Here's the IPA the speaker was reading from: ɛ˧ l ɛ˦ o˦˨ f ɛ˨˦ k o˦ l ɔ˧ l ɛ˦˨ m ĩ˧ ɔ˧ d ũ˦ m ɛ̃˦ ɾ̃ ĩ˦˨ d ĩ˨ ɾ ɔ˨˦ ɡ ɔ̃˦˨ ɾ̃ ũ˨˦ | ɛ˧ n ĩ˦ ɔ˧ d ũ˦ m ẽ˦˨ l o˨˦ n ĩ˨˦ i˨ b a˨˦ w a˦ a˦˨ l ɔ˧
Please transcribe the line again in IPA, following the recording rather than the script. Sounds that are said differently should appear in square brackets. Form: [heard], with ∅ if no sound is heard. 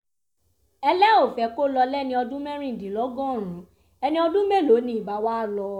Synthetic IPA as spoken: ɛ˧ l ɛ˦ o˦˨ f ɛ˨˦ k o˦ l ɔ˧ l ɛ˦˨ [n] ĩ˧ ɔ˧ d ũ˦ m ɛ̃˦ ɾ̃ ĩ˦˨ d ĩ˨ [l] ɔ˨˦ ɡ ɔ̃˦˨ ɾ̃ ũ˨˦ | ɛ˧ n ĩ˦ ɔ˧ d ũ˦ m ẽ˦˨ l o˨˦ n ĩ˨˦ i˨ b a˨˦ w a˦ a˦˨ l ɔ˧